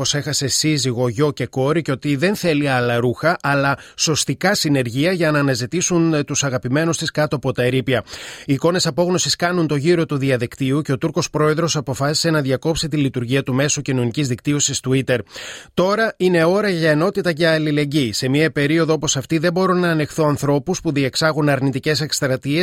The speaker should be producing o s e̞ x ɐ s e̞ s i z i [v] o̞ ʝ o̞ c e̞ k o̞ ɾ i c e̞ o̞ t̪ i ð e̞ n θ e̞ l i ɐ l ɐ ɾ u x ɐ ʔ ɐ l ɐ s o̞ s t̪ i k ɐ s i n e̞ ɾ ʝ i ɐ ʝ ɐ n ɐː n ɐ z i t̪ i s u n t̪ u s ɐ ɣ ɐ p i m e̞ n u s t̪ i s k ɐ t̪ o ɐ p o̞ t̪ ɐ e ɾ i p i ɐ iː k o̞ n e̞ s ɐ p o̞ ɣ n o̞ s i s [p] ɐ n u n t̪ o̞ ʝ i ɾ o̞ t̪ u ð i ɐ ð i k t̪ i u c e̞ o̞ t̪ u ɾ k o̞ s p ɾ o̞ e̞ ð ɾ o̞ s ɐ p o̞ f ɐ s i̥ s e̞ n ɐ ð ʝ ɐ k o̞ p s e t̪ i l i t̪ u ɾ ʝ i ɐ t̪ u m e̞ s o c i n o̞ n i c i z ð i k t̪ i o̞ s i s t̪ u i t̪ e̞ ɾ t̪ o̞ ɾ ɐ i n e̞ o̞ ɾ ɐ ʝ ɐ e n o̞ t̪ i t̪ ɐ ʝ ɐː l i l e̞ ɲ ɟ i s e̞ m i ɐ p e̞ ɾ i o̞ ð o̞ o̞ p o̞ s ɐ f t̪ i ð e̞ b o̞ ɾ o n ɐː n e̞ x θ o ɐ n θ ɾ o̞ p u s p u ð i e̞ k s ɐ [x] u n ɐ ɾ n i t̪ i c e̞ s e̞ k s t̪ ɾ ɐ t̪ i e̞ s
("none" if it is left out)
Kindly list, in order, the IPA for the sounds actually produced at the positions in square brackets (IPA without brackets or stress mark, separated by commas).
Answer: ɣ, k, ɣ